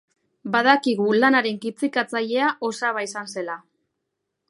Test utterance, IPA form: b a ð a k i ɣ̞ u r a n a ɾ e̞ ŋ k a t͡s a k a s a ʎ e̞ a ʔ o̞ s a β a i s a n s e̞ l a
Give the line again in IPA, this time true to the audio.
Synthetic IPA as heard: b a ð a k i ɣ̞ u l a n a ɾ e̞ ŋ k i t͡s i k a t͡s a ʎ e̞ a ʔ o̞ s a β a i s a n s e̞ l a